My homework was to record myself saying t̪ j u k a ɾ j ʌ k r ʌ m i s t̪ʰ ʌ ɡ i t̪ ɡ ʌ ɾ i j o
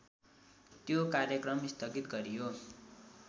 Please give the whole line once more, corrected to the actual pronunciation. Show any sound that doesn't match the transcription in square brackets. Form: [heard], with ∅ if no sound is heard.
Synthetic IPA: t̪ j [o] k a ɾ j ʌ k r ʌ m i s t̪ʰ ʌ ɡ i t̪ ɡ ʌ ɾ i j o

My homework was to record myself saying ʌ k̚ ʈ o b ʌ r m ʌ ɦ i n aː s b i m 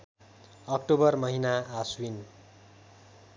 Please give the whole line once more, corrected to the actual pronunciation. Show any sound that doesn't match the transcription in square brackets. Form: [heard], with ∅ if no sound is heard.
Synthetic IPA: ʌ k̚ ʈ o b ʌ r m ʌ ɦ i n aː s [w] i [n]

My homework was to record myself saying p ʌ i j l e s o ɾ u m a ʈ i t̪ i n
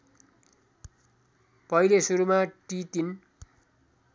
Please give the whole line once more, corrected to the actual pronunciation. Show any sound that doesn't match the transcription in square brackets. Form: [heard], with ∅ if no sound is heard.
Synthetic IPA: p ʌ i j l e s [u] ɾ u m a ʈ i t̪ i n

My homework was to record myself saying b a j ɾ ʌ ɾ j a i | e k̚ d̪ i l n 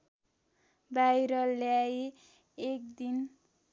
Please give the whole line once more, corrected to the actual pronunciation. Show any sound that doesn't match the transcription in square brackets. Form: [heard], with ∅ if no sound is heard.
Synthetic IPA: b a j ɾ ʌ [l] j a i | e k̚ d̪ i [∅] n

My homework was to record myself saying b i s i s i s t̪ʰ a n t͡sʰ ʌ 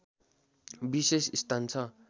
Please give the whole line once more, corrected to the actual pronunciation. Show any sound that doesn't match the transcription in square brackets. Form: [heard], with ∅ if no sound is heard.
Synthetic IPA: b i s [e] s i s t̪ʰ a n t͡sʰ ʌ

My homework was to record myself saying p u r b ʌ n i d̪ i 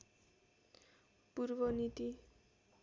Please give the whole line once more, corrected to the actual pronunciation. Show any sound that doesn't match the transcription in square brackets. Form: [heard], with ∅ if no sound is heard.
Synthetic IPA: p u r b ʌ n i [t̪] i

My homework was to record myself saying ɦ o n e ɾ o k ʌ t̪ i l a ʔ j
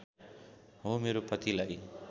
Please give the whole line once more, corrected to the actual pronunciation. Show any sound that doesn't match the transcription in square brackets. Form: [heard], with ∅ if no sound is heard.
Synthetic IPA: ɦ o [m] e ɾ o [p] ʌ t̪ i l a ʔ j

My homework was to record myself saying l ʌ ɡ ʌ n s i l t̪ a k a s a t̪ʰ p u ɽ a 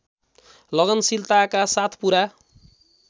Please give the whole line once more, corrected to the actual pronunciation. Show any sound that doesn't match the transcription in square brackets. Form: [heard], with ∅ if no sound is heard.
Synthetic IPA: l ʌ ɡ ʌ n s i l t̪ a k a s a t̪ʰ p u [ɾ] a

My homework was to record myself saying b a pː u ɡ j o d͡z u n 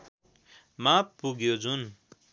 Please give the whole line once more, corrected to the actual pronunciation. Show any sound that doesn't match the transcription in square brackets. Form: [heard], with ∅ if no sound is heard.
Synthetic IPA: [m] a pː u ɡ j o d͡z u n

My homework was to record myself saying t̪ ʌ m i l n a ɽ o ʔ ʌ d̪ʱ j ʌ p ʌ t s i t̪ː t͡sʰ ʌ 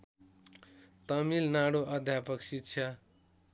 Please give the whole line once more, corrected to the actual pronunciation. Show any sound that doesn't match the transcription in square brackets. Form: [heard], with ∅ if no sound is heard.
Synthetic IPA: t̪ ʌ m i l n a ɽ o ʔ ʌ d̪ʱ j [a] p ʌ [k] s i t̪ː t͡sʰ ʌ

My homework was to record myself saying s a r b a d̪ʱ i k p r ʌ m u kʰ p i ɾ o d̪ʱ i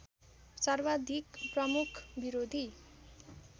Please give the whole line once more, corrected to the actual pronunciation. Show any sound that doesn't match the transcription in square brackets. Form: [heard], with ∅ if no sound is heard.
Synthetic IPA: s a r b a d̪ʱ i k p r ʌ m u kʰ [b] i ɾ o d̪ʱ i

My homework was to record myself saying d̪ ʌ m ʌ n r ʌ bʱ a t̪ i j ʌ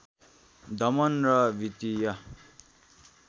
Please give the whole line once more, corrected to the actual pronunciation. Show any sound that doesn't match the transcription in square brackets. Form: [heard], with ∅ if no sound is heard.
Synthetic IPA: d̪ ʌ m ʌ n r ʌ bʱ [i] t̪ i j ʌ

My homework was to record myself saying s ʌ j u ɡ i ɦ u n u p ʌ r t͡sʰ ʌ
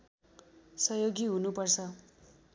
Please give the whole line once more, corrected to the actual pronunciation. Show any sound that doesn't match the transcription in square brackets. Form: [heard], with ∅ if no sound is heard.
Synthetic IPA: s ʌ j [o] ɡ i ɦ u n u p ʌ r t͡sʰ ʌ

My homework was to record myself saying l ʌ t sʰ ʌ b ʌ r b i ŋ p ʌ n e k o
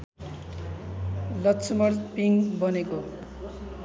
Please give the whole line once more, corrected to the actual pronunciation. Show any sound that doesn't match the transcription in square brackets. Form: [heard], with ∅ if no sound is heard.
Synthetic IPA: l ʌ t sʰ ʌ [m] ʌ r [p] i ŋ [b] ʌ n e k o

